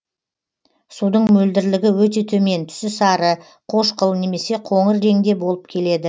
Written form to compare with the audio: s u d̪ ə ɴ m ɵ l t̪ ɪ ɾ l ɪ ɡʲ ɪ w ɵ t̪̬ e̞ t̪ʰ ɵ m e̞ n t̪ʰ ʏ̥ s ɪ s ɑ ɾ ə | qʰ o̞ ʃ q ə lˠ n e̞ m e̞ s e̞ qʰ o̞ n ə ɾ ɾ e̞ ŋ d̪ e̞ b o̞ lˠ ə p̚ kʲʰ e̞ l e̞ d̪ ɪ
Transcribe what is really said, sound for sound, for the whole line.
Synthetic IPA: s u d̪ ə ɴ m ɵ l d̪ ɪ ɾ l ɪ ɡʲ ɪ w ɵ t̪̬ e̞ t̪ʰ ɵ m e̞ n t̪ʰ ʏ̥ s ɪ s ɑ ɾ ə | qʰ o̞ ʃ q ə lˠ n e̞ m e̞ s e̞ qʰ o̞ ɴ ə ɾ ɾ e̞ ŋ d̪ e̞ b o̞ lˠ ə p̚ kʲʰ e̞ l e̞ d̪ ɪ